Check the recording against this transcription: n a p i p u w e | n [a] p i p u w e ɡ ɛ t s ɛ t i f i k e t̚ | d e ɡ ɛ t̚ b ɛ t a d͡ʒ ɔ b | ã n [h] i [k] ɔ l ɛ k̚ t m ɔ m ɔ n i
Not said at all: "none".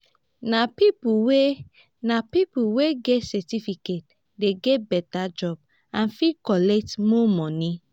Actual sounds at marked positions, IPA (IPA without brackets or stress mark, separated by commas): a, f, k